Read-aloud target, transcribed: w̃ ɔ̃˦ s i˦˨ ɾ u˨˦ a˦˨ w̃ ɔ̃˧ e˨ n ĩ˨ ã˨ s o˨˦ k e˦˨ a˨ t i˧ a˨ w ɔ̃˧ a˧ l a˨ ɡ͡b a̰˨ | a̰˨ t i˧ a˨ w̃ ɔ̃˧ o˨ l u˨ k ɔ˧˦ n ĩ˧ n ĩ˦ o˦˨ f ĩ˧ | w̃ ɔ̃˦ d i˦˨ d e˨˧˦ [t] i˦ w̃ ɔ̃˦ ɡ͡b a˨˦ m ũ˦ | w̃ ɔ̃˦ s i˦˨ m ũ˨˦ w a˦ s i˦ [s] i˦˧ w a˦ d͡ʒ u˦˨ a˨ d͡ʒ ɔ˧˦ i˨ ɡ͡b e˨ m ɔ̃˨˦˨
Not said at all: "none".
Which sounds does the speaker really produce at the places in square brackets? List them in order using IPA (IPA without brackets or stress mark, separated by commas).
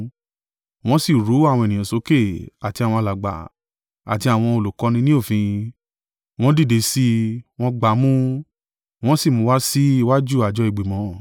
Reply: s, none